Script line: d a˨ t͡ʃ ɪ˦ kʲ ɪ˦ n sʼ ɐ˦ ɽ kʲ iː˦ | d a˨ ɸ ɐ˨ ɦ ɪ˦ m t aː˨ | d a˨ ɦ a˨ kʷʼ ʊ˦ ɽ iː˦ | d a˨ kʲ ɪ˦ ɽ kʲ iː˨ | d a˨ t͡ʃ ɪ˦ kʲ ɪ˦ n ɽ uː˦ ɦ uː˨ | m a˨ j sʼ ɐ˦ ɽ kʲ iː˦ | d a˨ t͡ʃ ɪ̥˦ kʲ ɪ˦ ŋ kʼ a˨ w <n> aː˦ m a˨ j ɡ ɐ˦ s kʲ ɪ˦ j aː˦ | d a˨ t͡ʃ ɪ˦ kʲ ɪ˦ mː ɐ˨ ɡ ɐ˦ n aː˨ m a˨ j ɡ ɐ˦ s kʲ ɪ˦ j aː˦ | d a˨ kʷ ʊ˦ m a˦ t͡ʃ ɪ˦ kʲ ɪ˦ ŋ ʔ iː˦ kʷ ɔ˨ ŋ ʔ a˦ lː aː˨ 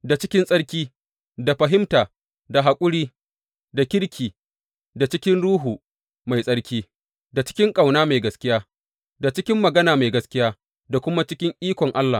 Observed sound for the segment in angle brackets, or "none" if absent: n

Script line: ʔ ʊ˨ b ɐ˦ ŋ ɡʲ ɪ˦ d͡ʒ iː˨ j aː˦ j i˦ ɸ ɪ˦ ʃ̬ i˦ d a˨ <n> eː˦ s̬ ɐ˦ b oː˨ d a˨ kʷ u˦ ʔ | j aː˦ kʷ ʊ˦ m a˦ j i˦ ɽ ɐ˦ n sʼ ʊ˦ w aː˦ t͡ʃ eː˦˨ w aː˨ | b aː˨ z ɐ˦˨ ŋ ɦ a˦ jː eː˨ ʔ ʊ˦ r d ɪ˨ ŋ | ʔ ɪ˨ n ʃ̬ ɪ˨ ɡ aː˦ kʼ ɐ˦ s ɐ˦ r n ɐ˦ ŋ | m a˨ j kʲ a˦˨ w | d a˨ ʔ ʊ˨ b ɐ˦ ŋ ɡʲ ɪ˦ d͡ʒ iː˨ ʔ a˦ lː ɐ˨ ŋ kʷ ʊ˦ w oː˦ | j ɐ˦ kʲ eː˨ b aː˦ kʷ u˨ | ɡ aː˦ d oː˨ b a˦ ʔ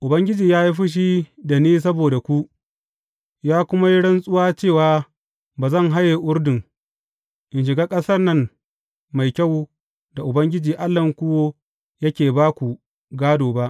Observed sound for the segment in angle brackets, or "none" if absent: n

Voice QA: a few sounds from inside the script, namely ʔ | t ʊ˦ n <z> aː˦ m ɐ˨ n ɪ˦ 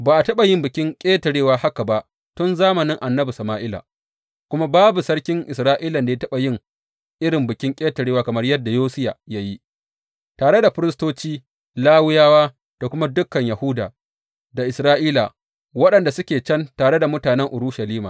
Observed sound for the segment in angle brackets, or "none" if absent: z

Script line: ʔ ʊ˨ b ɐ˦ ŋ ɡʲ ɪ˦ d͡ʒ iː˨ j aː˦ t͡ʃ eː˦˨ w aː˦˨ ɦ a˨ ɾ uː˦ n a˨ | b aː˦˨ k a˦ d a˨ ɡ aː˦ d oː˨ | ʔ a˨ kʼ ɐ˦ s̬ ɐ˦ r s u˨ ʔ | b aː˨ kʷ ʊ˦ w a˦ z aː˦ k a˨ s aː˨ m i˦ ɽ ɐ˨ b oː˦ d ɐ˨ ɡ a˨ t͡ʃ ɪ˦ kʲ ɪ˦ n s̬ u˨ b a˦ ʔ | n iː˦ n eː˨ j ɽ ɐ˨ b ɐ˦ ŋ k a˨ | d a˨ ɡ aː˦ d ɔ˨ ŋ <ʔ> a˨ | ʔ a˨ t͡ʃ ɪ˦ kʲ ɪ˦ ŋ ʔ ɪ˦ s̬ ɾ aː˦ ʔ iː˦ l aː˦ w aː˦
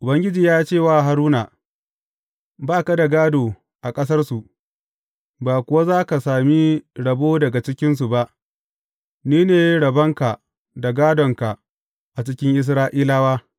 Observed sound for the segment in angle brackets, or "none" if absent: k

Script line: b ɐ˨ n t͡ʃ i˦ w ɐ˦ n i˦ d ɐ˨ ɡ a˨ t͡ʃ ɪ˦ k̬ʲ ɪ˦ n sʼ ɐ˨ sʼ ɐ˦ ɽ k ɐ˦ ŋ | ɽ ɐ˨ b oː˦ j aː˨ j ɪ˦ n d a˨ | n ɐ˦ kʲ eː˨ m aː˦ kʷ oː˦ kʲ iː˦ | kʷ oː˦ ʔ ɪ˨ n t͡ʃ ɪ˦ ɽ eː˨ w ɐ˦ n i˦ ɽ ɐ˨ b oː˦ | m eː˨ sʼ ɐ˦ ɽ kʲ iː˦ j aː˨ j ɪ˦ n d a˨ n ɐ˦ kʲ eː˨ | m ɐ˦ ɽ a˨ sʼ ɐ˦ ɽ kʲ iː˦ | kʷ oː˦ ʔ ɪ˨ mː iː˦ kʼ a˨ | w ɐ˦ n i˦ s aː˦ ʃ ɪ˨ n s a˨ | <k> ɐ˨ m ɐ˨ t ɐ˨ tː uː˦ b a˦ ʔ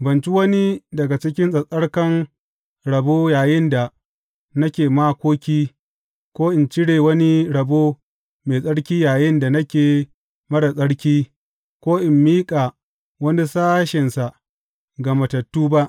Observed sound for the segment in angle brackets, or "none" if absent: ɡ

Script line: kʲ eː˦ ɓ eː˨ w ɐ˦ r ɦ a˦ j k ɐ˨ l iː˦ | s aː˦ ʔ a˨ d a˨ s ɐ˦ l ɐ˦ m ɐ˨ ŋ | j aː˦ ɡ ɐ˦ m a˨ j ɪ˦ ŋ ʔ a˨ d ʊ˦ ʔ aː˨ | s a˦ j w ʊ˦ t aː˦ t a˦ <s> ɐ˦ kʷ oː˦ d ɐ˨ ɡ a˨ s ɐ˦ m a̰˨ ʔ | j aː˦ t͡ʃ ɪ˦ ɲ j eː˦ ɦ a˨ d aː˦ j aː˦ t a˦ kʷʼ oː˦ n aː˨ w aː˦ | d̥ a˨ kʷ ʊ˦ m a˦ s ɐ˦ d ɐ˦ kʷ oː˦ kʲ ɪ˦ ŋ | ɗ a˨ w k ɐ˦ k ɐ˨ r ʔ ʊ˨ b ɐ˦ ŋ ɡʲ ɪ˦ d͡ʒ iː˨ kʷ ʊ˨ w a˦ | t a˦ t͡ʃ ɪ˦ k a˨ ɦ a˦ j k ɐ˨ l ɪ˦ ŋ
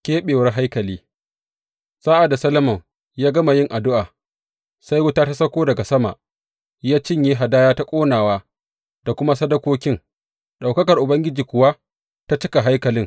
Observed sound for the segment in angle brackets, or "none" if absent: s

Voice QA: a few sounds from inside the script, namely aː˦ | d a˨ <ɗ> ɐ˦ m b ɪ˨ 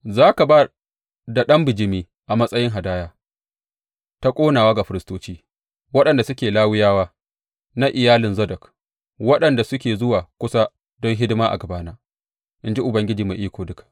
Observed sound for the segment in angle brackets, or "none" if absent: ɗ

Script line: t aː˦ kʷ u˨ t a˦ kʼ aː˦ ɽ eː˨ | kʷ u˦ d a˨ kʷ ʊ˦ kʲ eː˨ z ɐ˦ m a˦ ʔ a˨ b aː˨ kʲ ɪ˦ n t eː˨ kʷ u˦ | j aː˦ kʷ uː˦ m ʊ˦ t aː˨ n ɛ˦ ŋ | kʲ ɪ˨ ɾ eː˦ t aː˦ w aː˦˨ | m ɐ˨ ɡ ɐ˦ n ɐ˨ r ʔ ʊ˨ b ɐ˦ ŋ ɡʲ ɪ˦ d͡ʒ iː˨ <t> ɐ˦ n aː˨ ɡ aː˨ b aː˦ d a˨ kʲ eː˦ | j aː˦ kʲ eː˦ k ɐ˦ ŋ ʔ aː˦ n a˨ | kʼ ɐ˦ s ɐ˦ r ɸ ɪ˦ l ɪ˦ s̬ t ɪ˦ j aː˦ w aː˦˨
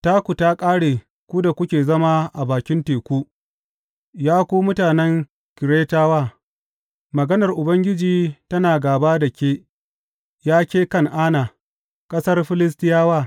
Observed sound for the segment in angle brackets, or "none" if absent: t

